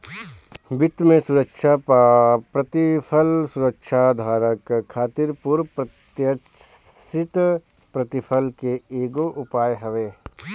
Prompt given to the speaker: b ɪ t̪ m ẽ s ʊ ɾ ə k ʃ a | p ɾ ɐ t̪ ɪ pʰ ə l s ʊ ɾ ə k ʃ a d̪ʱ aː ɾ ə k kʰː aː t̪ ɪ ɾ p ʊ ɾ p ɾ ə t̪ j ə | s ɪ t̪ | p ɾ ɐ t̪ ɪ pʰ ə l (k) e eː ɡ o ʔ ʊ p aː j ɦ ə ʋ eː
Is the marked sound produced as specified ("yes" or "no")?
yes